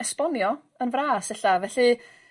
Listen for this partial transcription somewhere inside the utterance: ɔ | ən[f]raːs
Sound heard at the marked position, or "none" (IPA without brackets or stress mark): v